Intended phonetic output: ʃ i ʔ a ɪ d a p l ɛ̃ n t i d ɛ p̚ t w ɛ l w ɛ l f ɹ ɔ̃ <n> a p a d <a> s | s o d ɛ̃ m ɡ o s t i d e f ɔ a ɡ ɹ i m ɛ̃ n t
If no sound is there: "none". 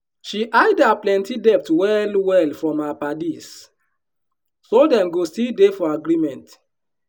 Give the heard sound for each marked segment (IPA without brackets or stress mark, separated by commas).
m, i